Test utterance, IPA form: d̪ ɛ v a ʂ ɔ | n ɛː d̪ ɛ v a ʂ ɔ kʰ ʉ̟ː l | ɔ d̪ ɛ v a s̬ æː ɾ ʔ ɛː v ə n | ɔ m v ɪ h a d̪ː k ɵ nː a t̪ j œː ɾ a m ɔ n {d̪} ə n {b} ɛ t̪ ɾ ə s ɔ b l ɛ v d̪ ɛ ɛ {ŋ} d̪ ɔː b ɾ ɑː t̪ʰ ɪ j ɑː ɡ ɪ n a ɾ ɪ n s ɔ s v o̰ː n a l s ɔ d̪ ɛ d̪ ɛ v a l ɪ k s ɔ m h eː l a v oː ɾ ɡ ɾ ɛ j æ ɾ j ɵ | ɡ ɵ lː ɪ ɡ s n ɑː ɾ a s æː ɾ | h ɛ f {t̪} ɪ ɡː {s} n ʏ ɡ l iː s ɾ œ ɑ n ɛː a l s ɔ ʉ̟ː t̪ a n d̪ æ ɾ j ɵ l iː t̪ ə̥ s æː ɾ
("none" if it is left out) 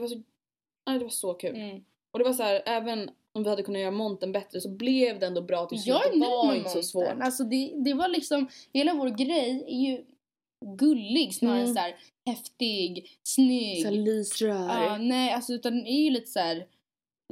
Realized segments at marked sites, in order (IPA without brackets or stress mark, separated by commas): t̪, b, n, t̪, s